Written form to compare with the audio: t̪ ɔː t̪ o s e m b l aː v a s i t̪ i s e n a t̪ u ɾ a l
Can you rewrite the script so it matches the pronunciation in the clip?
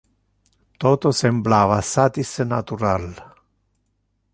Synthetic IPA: t̪ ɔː t̪ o s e m b l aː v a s a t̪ i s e n a t̪ u ɾ a l